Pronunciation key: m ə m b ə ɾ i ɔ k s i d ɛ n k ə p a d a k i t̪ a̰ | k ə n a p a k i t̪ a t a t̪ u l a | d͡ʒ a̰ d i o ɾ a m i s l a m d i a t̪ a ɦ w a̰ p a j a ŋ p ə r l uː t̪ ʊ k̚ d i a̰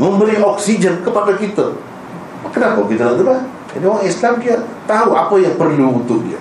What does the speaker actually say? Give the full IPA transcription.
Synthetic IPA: m ə m b ə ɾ i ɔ k s i d͡ʒ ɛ n k ə p a d a k i t̪ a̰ | k ə n a p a k i t̪ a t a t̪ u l a | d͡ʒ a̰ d i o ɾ a ŋ i s l a m d i a t̪ a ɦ u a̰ p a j a ŋ p ə r l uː t̪ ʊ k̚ d i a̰